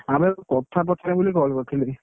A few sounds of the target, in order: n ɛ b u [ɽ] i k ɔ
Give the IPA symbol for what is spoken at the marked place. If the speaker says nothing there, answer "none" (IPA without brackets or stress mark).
l